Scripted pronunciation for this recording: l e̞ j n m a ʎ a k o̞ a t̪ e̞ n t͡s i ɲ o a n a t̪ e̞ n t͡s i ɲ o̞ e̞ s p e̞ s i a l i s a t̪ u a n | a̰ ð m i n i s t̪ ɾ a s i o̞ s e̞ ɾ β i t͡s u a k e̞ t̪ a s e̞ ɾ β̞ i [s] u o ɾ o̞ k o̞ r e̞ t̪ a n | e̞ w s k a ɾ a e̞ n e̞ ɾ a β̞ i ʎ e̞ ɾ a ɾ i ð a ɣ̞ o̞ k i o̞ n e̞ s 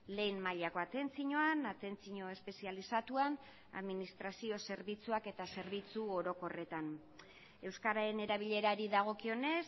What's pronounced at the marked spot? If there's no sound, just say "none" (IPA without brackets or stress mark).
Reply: t͡s